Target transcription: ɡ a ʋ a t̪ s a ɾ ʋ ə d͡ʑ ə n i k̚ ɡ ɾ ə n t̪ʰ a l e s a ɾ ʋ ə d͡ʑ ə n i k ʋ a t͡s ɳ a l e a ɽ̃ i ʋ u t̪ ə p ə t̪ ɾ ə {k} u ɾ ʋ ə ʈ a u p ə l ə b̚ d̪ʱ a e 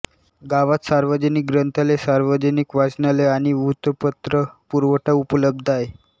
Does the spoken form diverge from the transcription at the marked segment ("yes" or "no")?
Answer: yes